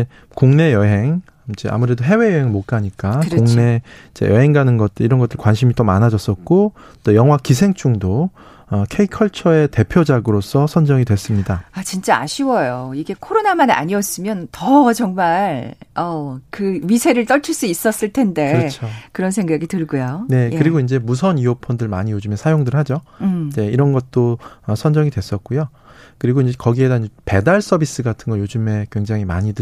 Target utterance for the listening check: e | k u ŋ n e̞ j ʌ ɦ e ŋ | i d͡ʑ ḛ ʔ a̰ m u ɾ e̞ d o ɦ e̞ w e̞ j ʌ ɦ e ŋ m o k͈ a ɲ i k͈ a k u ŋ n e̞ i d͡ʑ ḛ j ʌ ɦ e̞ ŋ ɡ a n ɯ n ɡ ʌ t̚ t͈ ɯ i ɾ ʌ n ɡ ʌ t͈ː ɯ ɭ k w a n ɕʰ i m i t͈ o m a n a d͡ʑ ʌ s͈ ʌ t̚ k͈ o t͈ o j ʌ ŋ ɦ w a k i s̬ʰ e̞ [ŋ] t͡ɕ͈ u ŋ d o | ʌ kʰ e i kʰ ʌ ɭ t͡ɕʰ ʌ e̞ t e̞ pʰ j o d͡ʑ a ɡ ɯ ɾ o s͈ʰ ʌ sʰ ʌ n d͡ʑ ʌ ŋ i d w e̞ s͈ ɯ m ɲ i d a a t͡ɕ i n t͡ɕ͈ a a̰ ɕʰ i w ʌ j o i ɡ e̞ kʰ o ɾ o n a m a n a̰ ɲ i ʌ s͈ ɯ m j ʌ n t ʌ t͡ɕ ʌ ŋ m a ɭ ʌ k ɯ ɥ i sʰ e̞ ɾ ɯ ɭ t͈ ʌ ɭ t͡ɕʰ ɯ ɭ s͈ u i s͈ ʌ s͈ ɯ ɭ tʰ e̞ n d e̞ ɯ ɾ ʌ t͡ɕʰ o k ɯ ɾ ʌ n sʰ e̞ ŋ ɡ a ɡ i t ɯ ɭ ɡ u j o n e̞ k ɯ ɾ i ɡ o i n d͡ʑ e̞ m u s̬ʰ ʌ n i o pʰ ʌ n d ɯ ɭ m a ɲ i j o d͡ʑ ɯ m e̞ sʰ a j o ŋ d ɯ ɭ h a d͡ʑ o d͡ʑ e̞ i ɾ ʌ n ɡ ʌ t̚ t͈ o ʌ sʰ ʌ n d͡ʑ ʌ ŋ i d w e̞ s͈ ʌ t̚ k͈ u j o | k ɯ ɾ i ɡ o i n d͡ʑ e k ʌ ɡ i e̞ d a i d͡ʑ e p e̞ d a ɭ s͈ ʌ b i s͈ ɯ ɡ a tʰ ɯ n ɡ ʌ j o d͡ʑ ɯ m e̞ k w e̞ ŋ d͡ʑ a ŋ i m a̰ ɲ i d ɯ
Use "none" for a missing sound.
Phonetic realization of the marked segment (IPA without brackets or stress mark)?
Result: ŋ